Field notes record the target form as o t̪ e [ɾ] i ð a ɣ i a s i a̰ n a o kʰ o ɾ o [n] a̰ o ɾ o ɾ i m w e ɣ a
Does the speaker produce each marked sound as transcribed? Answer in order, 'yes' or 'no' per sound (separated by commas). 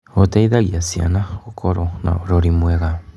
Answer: no, yes